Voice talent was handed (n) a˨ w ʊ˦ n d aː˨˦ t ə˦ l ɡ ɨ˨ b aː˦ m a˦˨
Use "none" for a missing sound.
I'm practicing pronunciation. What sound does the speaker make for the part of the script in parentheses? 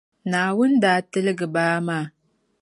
n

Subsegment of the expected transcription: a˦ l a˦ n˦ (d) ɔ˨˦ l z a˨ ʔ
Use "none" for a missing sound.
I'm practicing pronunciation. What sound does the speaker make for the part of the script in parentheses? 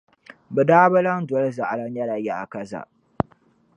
d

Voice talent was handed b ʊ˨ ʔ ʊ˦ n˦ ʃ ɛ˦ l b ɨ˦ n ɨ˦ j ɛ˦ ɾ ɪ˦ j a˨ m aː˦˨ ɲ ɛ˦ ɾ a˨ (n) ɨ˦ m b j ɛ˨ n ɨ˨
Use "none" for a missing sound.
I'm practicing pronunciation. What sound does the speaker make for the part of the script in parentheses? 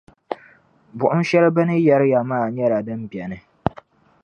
d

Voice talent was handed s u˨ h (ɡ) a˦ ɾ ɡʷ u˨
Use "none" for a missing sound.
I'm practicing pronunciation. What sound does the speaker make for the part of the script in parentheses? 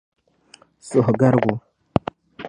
ɡ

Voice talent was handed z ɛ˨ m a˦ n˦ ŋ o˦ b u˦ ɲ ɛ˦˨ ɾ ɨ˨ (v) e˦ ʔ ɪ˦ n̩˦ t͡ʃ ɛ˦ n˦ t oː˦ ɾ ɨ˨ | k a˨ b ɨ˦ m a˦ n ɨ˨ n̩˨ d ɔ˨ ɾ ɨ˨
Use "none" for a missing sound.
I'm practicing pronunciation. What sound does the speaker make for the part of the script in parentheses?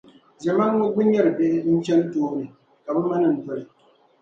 b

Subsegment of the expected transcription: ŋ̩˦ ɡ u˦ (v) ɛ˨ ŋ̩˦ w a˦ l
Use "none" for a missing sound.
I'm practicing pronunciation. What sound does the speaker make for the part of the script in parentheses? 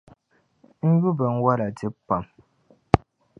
b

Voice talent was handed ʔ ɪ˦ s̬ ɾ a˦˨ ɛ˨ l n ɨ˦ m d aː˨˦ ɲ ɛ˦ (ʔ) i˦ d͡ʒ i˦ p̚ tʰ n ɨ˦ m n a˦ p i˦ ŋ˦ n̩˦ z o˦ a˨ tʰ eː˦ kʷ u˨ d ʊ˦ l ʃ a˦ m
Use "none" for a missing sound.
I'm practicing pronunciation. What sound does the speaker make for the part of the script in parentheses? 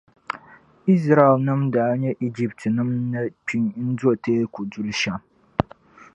ʔ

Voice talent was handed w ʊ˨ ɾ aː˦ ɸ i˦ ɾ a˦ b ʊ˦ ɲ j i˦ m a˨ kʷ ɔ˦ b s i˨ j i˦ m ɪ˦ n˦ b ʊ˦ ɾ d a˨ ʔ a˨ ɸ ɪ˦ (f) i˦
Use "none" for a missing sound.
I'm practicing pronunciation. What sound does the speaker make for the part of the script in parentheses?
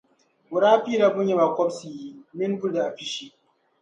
ʃ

